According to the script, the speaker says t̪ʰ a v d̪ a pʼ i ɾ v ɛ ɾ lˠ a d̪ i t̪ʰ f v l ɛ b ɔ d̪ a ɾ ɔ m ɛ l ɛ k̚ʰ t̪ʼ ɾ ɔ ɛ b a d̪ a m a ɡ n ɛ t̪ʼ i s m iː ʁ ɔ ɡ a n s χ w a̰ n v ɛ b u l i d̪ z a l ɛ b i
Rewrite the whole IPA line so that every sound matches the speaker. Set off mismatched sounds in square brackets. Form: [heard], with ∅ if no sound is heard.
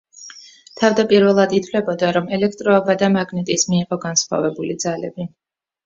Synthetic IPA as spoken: t̪ʰ a v d̪ a pʼ i ɾ v ɛ [∅] lˠ a d̪ i t̪ʰ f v l ɛ b ɔ d̪ a ɾ ɔ m ɛ l ɛ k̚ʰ t̪ʼ ɾ ɔ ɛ b a d̪ a m a ɡ n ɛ t̪ʼ i s m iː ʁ ɔ ɡ a n s χ w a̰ [∅] v ɛ b u l i d̪ z a l ɛ b i